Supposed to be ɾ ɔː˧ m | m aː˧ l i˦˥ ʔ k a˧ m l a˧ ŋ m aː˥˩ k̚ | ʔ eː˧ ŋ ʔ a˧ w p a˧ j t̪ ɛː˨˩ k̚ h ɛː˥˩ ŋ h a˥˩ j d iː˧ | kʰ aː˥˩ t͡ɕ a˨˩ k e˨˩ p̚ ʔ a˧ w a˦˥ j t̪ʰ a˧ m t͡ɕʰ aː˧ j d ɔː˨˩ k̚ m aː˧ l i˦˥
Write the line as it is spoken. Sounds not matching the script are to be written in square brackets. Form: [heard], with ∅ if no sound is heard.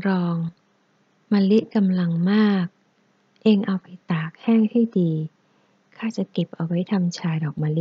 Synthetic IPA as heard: ɾ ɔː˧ [ŋ] | m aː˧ l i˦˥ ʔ k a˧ m l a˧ ŋ m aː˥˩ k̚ | ʔ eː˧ ŋ ʔ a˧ w p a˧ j t̪ [aː˨˩] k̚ h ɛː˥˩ ŋ h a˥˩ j d iː˧ | kʰ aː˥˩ t͡ɕ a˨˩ k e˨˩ p̚ ʔ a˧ w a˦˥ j t̪ʰ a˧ m t͡ɕʰ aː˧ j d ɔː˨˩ k̚ m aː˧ l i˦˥